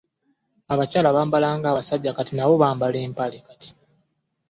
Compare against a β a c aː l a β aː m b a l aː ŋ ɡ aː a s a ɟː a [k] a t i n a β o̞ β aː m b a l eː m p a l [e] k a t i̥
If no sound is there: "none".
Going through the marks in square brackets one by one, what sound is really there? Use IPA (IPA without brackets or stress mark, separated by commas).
k, e